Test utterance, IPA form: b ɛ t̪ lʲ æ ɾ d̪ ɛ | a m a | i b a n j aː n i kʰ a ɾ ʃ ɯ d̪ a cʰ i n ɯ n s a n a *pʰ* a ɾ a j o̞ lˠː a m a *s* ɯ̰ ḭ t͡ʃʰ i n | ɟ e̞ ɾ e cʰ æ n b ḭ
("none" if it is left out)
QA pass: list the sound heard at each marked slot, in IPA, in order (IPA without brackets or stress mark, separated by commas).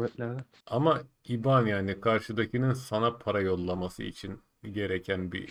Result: pʰ, s